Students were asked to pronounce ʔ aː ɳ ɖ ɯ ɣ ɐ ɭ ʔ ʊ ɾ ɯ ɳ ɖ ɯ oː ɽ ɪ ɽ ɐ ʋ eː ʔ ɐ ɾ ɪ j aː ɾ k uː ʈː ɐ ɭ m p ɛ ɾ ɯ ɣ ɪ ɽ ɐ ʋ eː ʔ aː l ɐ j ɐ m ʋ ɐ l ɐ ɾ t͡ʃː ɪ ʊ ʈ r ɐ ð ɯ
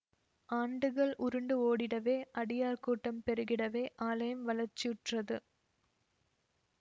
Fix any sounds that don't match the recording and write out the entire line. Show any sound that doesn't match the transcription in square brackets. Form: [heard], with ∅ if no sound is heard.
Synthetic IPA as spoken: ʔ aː ɳ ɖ ɯ ɣ ɐ ɭ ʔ ʊ ɾ ɯ ɳ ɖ ɯ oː ɽ ɪ ɽ ɐ ʋ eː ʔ ɐ [ɽ] ɪ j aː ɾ k uː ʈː ɐ [∅] m p ɛ ɾ ɯ ɣ ɪ ɽ ɐ ʋ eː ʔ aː l ɐ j ɐ m ʋ ɐ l ɐ ɾ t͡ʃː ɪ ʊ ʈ r ɐ ð ɯ